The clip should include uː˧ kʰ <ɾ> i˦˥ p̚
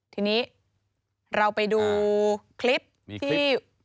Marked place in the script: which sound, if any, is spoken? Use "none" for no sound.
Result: l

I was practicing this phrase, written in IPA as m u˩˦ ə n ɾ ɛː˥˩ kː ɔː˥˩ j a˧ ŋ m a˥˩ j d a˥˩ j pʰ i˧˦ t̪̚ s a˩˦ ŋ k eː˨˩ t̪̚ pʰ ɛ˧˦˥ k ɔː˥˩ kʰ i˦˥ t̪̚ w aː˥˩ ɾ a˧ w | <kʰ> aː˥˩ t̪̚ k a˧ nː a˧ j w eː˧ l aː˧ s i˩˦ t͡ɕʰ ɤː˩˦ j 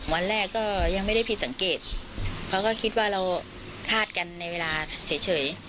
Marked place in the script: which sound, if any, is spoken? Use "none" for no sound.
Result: kʰ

